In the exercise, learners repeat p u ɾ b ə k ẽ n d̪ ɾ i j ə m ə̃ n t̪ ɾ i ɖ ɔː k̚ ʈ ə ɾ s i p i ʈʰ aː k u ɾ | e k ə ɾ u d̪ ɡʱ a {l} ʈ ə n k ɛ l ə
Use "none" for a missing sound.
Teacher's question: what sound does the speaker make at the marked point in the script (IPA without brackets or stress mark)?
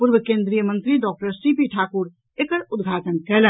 none